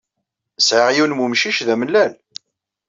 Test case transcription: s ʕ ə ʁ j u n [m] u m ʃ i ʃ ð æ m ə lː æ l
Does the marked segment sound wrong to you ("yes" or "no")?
no